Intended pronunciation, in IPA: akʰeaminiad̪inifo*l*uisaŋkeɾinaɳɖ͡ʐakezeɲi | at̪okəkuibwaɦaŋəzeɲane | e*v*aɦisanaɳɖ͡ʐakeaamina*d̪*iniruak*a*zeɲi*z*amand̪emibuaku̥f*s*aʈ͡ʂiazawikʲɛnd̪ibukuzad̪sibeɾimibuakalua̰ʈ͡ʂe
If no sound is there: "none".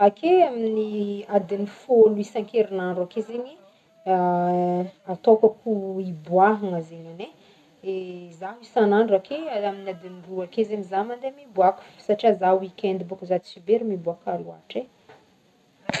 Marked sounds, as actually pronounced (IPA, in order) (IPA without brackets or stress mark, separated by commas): l, z, d̪, e, z, s